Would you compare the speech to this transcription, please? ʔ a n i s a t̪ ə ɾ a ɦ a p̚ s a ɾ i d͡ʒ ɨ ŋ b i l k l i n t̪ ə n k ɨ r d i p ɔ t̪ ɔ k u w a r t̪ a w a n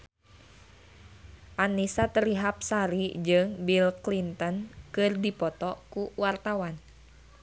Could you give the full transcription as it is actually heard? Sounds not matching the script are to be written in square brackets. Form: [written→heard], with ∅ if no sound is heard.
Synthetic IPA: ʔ a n i s a t̪ ə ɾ [a→i] ɦ a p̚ s a ɾ i d͡ʒ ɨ ŋ b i l k l i n t̪ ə n k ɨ r d i p ɔ t̪ ɔ k u w a r t̪ a w a n